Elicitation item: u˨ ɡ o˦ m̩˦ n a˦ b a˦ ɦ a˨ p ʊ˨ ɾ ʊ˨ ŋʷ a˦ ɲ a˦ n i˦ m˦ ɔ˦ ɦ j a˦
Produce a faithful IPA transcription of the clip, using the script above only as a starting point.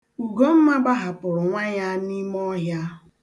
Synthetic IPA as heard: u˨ ɡ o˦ m̩˦ m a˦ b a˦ ɦ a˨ p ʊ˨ ɾ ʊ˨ ŋʷ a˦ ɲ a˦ n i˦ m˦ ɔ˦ ɦ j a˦